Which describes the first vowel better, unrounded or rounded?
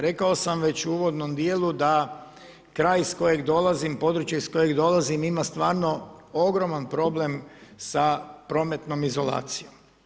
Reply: unrounded